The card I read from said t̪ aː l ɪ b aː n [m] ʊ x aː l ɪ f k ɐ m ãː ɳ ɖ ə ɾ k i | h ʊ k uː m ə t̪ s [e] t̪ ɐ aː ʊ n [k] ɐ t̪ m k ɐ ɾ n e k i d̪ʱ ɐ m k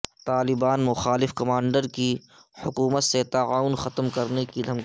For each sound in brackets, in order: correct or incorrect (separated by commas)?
correct, correct, incorrect